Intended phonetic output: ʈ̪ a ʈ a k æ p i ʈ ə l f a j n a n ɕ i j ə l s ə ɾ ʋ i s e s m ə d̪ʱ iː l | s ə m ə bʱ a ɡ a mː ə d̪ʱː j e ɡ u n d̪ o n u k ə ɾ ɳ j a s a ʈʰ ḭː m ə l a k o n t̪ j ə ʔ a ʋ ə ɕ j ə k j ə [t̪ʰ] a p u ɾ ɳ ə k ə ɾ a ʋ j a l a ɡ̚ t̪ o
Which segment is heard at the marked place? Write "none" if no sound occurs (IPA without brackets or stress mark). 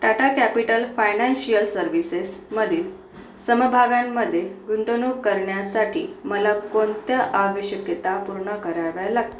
t̪